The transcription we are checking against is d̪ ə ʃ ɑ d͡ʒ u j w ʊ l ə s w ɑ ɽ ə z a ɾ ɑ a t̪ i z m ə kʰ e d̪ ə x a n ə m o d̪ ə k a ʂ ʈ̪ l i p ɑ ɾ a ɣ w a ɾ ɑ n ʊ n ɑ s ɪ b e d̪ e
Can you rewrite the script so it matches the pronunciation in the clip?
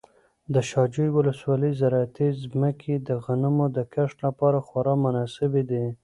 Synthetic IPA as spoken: d̪ ə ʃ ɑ d͡ʒ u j w ʊ l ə s w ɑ l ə z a ɾ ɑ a t̪ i z m ə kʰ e d̪ ə ɣ a n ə m o d̪ ə k a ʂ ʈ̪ l a p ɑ ɾ a x w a ɾ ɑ m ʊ n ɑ s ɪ b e d̪ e